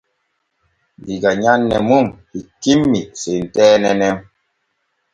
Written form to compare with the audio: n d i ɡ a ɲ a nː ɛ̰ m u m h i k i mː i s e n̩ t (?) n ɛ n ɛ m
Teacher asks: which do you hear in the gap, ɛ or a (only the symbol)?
ɛ